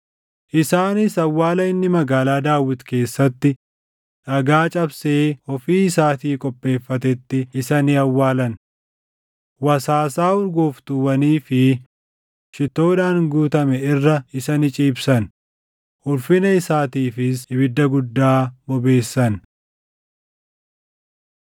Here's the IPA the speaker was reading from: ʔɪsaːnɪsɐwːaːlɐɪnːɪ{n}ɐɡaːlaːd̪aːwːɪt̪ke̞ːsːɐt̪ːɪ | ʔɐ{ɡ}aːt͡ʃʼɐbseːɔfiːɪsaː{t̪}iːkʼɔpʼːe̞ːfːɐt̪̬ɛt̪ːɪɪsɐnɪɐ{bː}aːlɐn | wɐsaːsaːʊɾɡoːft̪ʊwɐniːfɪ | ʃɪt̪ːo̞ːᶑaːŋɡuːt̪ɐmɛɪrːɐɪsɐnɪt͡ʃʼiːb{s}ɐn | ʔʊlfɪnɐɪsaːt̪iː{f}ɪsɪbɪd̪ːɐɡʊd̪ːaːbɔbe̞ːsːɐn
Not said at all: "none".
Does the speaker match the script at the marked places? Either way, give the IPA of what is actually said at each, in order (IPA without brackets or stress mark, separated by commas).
m, ɡ, t̪, wː, s, f